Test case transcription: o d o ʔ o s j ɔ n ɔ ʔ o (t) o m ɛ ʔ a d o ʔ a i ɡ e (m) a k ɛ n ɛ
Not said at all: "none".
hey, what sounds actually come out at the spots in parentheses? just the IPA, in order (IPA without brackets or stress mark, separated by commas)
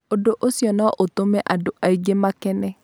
t, m